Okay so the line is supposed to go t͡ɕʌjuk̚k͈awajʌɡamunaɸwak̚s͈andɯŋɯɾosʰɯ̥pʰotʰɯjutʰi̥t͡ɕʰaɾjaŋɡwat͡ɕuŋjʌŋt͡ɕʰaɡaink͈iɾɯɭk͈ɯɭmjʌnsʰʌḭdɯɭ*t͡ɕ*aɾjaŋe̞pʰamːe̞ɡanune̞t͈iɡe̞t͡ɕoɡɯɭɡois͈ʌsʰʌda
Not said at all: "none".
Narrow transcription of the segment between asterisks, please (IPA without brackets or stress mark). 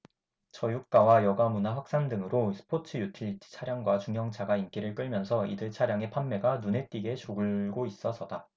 t͡ɕʰ